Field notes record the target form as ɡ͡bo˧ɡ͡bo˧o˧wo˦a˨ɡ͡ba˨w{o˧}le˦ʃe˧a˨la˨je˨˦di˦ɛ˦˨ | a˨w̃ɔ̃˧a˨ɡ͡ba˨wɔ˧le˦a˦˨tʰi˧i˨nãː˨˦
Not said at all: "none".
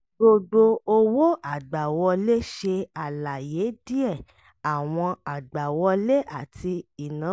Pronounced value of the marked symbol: ɔ˧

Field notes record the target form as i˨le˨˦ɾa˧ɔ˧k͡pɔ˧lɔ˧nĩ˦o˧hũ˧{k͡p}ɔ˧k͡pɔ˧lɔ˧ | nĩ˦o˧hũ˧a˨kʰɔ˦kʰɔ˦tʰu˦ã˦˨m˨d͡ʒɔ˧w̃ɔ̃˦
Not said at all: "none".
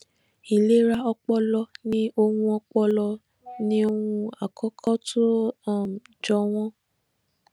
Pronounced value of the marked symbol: none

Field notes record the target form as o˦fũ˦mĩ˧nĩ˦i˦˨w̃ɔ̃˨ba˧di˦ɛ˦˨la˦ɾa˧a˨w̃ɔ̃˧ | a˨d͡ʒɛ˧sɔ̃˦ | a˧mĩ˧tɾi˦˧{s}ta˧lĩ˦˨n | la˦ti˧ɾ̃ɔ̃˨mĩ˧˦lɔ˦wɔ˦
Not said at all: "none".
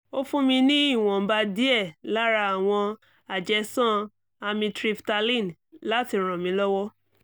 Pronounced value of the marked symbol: f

